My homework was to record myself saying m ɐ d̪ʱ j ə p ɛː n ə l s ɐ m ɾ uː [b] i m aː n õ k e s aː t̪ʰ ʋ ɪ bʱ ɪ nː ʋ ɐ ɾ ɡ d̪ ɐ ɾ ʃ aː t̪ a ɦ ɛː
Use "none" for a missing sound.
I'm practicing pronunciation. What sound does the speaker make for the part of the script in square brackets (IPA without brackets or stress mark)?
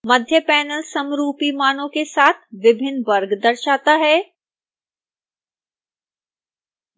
p